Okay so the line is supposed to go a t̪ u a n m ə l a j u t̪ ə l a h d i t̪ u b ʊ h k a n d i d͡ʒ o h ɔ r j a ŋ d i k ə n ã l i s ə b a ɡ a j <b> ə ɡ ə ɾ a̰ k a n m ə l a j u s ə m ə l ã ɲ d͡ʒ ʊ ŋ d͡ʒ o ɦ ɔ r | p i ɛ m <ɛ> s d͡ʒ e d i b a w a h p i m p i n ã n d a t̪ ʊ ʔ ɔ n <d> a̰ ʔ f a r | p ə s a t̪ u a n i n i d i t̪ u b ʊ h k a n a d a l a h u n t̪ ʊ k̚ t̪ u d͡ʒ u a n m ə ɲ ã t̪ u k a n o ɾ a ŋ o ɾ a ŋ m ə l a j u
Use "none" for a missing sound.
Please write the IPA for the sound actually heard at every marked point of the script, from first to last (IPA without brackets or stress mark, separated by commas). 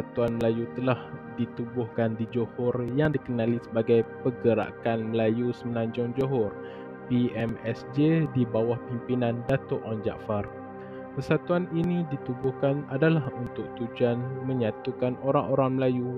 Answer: p, ɛ, d͡ʒ